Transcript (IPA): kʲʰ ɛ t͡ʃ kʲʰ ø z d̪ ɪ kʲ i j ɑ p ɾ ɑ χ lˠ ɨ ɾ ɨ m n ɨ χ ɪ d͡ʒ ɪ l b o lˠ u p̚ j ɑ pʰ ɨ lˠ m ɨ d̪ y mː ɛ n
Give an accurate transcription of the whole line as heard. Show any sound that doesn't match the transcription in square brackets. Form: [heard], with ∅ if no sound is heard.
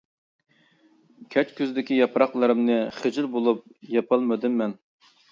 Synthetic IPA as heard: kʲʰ ɛ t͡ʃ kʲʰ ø z d̪ ɪ kʲ i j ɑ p ɾ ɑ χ lˠ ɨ ɾ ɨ m n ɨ χ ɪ d͡ʒ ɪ l b o lˠ u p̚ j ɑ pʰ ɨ lˠ m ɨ d̪ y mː ɛ n